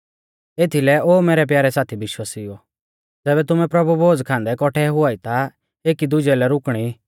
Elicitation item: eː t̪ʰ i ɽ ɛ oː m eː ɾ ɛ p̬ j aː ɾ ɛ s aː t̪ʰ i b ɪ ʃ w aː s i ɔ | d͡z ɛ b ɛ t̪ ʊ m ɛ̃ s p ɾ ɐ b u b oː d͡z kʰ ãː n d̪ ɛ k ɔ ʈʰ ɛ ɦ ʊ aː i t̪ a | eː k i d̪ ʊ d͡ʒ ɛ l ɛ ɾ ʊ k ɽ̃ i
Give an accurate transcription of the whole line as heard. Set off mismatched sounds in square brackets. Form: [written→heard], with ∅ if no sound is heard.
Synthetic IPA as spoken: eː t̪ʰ i [ɽ→l] ɛ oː m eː ɾ ɛ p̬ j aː ɾ ɛ s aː t̪ʰ i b ɪ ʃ w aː s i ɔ | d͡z [ɛ→ɛː] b ɛ t̪ ʊ m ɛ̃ [s→∅] p ɾ ɐ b u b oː d͡z kʰ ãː n d̪ ɛ k ɔ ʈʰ ɛ ɦ ʊ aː i t̪ a | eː k i d̪ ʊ d͡ʒ ɛ l ɛ ɾ ʊ k ɽ̃ i